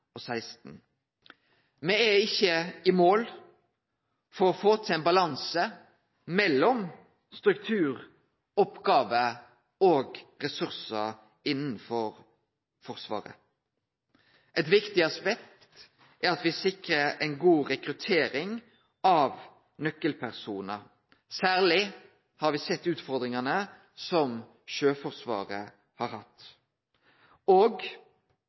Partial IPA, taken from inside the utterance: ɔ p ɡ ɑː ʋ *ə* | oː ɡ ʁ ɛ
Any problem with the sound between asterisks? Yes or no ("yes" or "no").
no